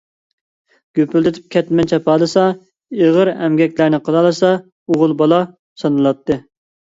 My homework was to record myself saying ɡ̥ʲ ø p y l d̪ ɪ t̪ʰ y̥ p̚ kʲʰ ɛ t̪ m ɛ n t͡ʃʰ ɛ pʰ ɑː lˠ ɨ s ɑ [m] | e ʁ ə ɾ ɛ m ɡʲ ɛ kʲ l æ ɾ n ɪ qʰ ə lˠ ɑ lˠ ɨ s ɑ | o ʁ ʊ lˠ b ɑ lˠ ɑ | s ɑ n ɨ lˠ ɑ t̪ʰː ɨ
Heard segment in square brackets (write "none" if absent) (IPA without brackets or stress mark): none